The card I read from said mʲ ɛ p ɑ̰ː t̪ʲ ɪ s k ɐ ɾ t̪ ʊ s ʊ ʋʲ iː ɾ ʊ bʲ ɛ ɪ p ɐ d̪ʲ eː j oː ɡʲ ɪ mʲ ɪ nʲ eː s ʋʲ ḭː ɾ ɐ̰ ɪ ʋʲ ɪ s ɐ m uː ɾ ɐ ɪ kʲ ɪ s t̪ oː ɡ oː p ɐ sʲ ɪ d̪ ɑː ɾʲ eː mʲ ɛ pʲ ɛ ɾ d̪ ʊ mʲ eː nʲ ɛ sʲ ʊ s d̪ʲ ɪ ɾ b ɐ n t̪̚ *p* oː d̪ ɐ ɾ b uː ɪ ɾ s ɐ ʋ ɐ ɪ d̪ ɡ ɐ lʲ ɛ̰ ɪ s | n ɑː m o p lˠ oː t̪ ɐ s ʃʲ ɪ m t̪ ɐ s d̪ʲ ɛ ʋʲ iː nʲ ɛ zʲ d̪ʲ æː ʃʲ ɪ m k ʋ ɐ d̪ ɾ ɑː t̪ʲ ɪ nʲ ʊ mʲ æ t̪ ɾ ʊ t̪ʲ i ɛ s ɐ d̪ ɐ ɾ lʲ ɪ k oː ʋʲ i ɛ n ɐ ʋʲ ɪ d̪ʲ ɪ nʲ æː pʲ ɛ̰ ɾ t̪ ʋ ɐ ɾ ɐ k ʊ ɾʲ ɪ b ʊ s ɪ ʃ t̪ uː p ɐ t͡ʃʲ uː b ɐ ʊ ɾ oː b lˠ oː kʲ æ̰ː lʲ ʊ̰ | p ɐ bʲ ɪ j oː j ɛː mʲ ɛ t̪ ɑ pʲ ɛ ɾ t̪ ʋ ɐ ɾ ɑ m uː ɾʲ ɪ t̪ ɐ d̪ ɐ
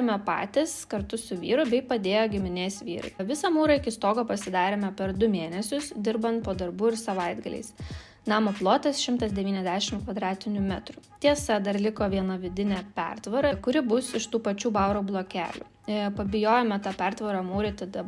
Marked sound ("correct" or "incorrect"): correct